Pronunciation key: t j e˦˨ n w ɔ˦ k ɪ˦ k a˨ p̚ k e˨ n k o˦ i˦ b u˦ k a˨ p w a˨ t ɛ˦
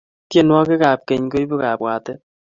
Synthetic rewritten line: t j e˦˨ n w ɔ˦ k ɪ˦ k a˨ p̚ k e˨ ɲ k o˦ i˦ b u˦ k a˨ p w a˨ t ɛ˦